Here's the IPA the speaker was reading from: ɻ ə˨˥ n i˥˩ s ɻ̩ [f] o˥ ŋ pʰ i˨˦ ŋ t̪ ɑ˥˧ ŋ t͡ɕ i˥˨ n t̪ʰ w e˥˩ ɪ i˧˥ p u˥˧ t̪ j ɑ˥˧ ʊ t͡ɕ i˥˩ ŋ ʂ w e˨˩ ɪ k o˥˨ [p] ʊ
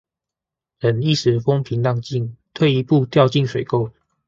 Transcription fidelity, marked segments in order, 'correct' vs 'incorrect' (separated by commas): correct, incorrect